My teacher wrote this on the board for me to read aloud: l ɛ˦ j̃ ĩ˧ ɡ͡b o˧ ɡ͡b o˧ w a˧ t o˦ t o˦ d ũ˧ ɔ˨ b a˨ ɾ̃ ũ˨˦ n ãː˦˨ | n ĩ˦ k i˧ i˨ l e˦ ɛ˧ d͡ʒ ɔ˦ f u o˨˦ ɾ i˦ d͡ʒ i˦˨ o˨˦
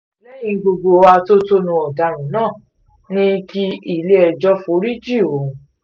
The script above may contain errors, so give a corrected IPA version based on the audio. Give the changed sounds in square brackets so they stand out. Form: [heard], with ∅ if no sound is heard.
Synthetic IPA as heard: l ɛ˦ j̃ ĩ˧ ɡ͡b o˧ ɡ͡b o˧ w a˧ t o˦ t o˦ [n] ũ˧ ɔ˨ [d] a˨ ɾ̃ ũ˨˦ n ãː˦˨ | n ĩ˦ k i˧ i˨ l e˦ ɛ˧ d͡ʒ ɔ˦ f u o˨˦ ɾ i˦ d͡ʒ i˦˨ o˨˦